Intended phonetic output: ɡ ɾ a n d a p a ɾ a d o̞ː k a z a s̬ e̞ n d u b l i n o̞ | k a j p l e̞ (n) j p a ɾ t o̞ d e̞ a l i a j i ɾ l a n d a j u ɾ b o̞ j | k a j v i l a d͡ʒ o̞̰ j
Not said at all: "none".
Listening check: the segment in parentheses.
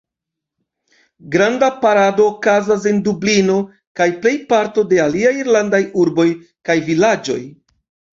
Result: none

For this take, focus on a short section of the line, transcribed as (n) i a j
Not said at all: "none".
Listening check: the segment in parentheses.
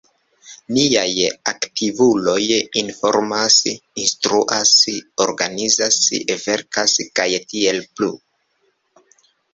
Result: n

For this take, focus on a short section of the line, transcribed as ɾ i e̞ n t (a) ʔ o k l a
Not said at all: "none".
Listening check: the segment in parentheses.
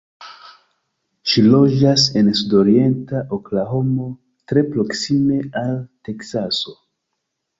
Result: a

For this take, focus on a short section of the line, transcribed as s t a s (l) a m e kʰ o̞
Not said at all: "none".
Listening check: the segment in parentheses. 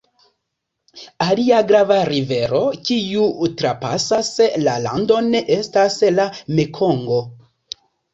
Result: l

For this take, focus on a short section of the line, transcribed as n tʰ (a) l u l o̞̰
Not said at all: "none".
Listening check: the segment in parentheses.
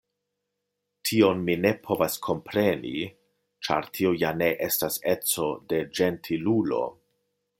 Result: i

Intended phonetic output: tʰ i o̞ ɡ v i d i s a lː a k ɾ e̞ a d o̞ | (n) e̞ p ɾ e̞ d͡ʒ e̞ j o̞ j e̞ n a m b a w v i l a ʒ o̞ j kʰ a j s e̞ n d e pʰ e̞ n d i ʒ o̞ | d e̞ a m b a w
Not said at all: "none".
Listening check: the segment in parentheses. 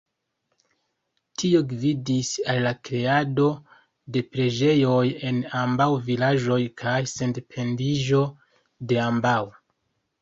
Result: d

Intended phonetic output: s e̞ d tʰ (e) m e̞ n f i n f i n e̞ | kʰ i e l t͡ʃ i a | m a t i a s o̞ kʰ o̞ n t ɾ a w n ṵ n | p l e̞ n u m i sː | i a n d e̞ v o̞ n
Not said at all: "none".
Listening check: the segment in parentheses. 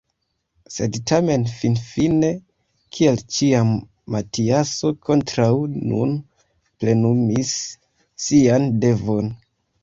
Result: a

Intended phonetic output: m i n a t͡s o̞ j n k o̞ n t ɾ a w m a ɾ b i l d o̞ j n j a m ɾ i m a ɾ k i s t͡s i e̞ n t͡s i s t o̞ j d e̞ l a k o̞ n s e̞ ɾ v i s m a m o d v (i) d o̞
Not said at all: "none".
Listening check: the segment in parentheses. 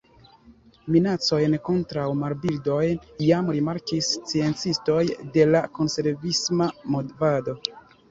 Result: a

